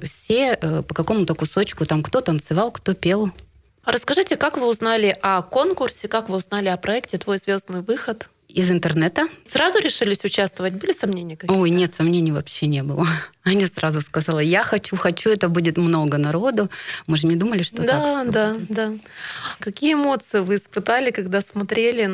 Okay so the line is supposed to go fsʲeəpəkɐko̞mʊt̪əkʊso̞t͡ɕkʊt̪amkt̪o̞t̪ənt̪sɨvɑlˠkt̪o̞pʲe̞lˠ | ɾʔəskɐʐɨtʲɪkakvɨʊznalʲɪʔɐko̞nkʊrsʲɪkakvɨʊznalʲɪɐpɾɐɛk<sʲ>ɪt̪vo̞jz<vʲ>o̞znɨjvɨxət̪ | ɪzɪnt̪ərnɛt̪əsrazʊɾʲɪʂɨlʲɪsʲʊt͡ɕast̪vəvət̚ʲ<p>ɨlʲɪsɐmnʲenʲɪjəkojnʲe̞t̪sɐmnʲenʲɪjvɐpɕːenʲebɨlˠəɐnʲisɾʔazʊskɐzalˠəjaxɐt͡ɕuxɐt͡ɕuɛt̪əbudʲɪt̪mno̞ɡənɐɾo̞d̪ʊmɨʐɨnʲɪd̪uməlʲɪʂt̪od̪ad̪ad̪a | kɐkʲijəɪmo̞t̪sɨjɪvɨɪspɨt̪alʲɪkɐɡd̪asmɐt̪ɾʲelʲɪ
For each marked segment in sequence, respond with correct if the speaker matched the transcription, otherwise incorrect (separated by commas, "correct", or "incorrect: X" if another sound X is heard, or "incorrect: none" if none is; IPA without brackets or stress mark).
incorrect: tʲ, correct, incorrect: b